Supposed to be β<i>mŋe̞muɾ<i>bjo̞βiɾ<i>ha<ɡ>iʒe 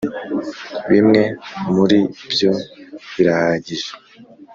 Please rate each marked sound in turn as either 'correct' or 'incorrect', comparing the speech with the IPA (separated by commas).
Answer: correct, correct, incorrect, incorrect